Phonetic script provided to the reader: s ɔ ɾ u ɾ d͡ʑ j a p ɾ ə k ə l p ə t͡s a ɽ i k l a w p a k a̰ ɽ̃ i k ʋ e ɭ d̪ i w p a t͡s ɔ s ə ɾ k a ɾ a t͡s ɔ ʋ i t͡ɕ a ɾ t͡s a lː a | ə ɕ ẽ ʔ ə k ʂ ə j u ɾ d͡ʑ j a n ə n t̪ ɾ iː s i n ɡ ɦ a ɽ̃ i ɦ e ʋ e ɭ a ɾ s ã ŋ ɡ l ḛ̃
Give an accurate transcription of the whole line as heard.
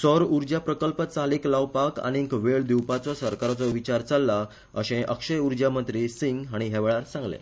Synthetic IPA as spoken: s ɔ ɾ u ɾ d͡ʑ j a p ɾ ə k ə l p ə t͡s a l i k l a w p a k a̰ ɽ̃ i k ʋ e ɭ d̪ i w p a t͡s ɔ s ə ɾ k a ɾ a t͡s ɔ ʋ i t͡ɕ a ɾ t͡s a lː a | ə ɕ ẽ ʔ ə k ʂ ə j u ɾ d͡ʑ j a m ə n t̪ ɾ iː s i ŋ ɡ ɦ a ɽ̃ i ɦ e ʋ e ɭ a ɾ s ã ŋ ɡ l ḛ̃

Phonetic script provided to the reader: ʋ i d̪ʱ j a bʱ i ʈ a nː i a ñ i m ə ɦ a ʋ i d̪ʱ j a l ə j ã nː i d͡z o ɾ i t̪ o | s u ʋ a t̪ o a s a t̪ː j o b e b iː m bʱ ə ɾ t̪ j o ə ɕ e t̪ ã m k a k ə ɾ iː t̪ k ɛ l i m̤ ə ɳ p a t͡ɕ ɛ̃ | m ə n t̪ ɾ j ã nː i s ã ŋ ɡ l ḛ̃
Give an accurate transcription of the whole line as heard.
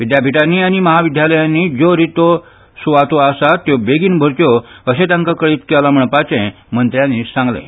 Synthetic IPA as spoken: ʋ i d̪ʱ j a bʱ i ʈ a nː i a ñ i m ə ɦ a ʋ i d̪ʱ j a l ə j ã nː i d͡z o ɾ i t̪ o | s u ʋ a t̪ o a s a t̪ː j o b e ɡ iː n bʱ ə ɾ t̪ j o ə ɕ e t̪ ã ŋ k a k ə ɭ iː t̪ k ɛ l a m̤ ə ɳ p a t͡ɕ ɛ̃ | m ə n t̪ ɾ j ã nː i s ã ŋ ɡ l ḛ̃

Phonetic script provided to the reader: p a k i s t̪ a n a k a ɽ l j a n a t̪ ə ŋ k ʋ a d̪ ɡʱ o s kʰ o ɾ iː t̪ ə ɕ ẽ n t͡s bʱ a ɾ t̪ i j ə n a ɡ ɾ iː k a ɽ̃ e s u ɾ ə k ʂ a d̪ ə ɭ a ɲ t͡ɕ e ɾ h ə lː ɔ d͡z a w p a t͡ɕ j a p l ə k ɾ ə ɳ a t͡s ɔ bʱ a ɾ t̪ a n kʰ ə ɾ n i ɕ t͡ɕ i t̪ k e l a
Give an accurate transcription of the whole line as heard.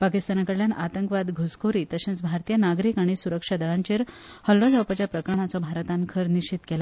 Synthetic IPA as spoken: p a k i s t̪ a n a k ə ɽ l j a n a t̪ ə ŋ k ʋ a d̪ ɡʱ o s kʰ o ɾ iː t̪ ə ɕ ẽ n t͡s bʱ a ɾ t̪ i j ə n a ɡ ɾ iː k a ɽ̃ i s u ɾ ə k ʂ a d̪ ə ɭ a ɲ t͡ɕ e ɾ h ə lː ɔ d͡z a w p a t͡ɕ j a p ɾ ə k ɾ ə ɳ a t͡s ɔ bʱ a ɾ t̪ a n kʰ ə ɾ n i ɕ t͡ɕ i t̪ k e l a

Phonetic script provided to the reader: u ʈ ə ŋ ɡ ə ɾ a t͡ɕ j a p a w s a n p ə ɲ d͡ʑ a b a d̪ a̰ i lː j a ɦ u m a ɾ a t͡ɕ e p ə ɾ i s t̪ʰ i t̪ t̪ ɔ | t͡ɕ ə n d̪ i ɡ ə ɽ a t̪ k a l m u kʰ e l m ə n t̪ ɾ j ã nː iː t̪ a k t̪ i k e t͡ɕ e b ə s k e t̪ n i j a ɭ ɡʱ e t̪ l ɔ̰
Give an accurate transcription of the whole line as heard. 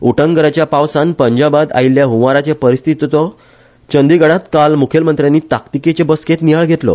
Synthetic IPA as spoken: u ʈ ə ŋ ɡ ə ɾ a t͡ɕ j a p a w s a n p ə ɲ d͡ʑ a b a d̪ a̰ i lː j a ɦ u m a ɾ a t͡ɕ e p ə ɾ i s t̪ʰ i t̪ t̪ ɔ | t͡ɕ ə n d̪ i ɡ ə ɽ a t̪ k a l m u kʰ e l m ə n t̪ ɾ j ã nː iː t̪ a k t̪ i k e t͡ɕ e b ə s k e t̪ n i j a ɭ ɡʱ e t̪ l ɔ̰

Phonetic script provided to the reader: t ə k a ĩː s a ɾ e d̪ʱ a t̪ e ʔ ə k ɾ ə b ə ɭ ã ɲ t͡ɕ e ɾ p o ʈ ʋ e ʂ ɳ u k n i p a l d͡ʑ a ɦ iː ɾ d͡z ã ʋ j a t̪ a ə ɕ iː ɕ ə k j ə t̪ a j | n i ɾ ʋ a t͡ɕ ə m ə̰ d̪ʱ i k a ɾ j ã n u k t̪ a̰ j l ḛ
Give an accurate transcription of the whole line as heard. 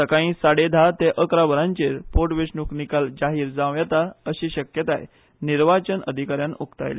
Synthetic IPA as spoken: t ə k a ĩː s a ɽ e d̪ʱ a t̪ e ʔ ə k ɾ a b ə ɾ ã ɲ t͡ɕ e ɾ p o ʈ ʋ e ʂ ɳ u k n i k a l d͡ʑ a ɦ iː ɾ d͡z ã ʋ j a t̪ a ə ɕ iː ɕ ə k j ə t̪ a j | n i ɾ ʋ a t͡ɕ ə n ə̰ d̪ʱ i k a ɾ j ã n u k t̪ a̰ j l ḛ

